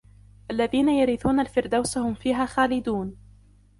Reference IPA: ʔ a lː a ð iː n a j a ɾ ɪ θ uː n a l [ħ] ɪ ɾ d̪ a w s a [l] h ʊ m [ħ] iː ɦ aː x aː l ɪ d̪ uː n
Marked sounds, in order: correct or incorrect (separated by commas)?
incorrect, incorrect, incorrect